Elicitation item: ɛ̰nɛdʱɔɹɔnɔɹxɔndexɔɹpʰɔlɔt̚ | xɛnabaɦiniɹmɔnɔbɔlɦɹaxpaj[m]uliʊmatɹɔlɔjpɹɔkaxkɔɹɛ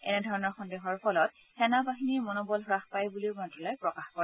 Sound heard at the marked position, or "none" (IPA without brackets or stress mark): b